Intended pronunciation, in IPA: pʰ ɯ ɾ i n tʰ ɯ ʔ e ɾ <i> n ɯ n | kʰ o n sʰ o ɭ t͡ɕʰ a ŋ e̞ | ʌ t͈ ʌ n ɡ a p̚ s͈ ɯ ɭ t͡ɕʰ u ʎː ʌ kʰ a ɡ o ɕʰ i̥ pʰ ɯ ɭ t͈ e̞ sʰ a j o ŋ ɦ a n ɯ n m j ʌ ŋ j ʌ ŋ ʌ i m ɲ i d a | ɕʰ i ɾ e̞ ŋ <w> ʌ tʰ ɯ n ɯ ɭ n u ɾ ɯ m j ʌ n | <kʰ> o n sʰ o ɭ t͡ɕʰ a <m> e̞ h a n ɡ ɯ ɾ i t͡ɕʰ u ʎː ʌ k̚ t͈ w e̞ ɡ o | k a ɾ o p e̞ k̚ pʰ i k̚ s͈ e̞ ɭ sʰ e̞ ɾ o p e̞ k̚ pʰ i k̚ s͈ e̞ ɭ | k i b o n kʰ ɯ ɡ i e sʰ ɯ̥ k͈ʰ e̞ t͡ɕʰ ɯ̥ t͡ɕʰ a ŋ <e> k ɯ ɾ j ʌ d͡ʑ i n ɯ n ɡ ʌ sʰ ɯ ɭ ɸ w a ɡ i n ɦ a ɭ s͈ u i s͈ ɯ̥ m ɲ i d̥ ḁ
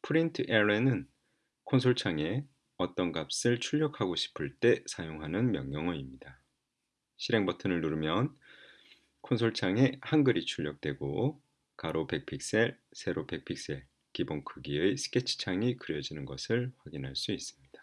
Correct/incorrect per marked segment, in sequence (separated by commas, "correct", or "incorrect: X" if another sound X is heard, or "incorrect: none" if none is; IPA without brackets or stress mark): incorrect: e, incorrect: b, correct, incorrect: ŋ, incorrect: i